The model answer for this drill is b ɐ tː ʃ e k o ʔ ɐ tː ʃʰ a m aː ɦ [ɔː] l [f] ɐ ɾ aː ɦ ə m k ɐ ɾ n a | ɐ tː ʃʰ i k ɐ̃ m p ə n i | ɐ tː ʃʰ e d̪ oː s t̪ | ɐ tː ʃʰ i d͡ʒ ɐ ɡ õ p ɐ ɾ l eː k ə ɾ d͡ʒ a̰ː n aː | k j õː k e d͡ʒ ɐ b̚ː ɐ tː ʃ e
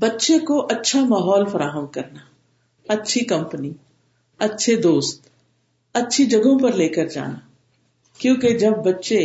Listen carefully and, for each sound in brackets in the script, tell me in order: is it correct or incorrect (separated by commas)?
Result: correct, correct